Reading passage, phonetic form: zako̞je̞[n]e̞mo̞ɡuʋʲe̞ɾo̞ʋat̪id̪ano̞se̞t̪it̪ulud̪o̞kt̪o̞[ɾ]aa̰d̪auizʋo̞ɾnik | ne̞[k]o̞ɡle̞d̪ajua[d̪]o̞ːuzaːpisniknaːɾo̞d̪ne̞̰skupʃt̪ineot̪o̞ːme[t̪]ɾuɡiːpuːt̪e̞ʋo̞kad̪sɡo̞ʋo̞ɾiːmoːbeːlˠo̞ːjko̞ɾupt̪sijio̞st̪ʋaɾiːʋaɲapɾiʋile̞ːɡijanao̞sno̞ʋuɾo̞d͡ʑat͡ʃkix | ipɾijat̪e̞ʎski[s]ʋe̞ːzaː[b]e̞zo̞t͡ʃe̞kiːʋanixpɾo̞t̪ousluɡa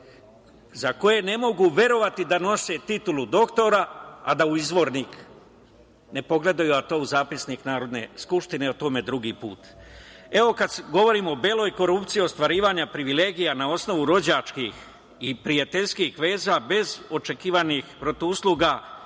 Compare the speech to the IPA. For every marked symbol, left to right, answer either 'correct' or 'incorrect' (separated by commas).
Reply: correct, correct, incorrect, incorrect, incorrect, incorrect, correct